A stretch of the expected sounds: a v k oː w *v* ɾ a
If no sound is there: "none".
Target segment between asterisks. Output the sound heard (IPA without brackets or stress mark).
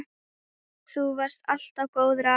ð